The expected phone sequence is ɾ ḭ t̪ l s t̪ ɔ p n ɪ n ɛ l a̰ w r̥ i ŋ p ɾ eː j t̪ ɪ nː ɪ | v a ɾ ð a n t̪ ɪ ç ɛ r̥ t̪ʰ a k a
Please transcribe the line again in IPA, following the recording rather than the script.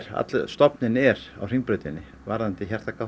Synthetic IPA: ɾ a̰ t̪ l s t̪ ɔ p n ɪ n ɛ ɾ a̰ w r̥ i ŋ p ɾ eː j t̪ ɪ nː ɪ | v a ɾ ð a n t̪ ɪ ç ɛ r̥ t̪ a k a